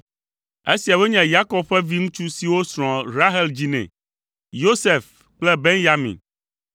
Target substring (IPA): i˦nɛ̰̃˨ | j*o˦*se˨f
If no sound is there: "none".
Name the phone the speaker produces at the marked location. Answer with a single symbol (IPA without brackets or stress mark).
o˦